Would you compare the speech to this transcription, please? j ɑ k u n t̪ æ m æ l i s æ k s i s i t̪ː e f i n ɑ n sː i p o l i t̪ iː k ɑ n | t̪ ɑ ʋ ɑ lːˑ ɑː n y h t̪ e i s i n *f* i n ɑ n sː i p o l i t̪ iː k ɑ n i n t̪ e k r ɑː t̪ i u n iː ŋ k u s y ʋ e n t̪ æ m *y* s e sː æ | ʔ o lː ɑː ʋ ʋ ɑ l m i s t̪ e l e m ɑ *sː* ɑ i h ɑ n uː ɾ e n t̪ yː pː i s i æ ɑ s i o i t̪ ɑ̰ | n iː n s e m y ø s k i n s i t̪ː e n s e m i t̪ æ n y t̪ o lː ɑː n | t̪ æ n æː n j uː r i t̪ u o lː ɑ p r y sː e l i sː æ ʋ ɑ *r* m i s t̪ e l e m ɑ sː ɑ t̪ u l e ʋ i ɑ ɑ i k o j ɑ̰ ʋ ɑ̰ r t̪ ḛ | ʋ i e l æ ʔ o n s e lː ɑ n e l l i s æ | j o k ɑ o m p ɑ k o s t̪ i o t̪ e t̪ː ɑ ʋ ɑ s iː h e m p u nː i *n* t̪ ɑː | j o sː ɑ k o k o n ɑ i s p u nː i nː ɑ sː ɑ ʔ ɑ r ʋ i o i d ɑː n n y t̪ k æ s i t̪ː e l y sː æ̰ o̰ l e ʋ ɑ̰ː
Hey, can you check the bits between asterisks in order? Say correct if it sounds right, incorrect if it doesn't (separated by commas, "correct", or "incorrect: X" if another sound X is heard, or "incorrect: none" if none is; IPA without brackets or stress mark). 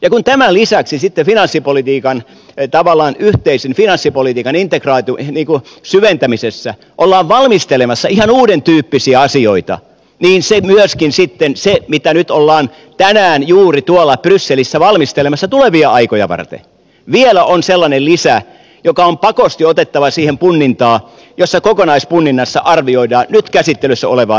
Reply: correct, incorrect: i, correct, incorrect: l, correct